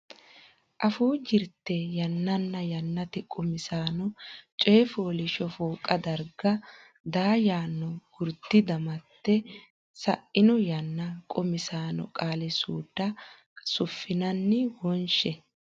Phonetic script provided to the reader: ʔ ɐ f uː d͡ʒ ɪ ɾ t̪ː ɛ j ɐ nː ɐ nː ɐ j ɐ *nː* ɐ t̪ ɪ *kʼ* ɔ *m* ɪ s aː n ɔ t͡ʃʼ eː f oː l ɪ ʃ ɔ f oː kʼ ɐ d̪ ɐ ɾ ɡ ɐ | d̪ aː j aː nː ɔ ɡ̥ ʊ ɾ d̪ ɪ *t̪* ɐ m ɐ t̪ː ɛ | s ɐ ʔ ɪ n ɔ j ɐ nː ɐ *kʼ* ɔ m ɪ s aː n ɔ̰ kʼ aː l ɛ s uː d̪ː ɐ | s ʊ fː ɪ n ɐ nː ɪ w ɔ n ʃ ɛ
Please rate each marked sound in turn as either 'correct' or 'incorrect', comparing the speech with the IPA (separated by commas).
correct, correct, correct, incorrect, correct